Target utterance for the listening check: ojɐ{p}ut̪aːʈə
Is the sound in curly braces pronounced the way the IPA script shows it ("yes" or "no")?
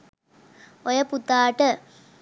yes